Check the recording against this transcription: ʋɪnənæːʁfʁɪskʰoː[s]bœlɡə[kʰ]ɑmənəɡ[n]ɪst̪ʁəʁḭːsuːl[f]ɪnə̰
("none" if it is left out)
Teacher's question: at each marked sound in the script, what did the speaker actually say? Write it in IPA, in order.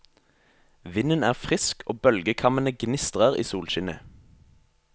none, kʰ, n, ʃ

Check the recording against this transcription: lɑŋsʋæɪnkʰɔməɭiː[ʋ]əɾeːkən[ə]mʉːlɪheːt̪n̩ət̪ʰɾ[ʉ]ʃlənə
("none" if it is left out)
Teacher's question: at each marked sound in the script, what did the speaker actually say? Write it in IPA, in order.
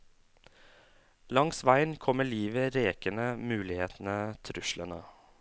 ʋ, ə, ʉ

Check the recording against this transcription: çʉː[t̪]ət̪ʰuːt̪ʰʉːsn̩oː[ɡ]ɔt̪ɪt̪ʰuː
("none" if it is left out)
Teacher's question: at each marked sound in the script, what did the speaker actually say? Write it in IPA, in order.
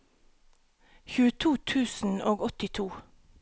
none, ɡ

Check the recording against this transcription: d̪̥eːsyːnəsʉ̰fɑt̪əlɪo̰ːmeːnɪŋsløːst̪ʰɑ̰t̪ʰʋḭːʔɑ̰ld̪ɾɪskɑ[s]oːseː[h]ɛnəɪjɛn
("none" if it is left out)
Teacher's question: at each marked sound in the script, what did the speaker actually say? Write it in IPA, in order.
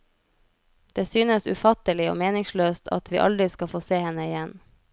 f, h

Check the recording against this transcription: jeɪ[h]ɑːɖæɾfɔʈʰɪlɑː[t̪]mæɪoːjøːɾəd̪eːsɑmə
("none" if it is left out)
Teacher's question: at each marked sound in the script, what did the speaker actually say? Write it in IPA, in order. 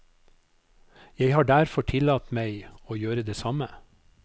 h, t̪

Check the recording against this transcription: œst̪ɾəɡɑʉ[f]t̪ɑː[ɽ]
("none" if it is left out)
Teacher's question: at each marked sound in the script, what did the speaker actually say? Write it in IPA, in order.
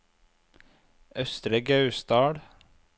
s, ɽ

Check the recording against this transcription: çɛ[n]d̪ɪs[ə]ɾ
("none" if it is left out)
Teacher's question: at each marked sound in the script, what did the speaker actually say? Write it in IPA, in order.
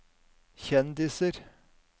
n, ə

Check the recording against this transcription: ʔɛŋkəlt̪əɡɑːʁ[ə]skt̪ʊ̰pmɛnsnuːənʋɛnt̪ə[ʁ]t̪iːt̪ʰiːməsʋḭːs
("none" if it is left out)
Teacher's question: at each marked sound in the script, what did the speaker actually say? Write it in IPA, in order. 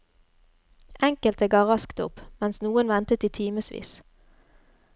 ɑ, none

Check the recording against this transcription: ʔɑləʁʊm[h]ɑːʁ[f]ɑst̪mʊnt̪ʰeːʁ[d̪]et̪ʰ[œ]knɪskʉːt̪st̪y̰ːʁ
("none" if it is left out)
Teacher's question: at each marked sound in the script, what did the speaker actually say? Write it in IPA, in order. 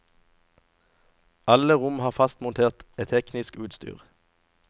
h, f, t̪, ɛ

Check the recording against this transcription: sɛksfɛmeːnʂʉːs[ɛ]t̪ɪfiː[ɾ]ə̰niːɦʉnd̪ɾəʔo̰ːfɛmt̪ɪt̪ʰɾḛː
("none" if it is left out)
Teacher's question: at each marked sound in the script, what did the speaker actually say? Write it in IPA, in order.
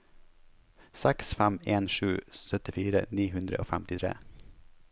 œ, ɾ

